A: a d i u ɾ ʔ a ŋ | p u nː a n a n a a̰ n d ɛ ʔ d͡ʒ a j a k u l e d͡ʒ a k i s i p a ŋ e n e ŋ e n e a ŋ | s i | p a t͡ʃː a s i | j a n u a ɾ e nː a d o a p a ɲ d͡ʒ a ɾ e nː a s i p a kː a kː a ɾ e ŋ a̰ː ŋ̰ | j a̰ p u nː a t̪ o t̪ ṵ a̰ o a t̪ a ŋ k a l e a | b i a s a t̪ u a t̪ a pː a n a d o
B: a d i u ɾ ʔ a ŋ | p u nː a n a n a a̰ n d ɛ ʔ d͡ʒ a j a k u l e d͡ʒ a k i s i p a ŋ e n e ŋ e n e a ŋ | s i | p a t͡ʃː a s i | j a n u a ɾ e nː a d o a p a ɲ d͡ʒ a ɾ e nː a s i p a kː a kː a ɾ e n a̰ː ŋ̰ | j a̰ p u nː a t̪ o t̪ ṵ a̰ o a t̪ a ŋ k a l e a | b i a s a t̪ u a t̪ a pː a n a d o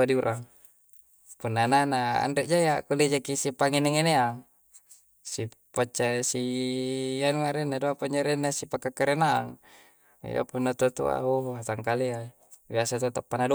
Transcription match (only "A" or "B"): B